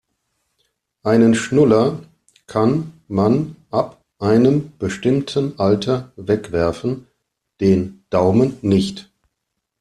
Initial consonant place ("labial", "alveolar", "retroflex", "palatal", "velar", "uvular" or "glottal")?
glottal